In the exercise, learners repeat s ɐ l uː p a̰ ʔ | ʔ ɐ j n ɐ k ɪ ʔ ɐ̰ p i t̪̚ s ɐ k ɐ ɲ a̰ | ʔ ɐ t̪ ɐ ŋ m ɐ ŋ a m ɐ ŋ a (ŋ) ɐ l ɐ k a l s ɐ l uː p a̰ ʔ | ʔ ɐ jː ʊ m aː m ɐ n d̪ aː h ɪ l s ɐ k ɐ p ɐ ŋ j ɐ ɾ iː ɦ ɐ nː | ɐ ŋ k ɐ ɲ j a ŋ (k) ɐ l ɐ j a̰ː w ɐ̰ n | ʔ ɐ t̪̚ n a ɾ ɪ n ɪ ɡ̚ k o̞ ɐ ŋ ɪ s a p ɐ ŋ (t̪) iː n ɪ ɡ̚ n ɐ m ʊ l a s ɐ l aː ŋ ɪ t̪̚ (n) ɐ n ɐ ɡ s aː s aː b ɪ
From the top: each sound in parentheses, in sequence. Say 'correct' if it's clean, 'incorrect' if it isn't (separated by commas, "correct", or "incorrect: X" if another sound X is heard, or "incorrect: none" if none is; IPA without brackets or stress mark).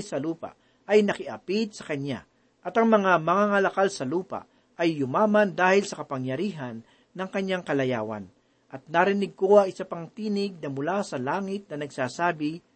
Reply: correct, correct, correct, correct